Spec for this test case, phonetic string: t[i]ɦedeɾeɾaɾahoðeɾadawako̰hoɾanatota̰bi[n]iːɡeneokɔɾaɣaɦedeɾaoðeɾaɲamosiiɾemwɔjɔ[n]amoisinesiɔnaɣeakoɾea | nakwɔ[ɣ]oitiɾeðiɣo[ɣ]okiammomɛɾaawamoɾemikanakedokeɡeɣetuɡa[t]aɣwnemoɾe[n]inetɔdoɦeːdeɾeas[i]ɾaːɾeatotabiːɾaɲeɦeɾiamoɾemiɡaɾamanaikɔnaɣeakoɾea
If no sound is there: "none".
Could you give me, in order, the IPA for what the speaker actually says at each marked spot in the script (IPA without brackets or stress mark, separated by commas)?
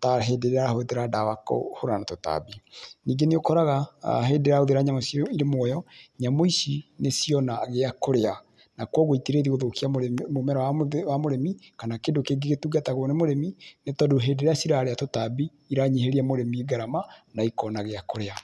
a, n, ɲ, ɣ, ð, t, m, i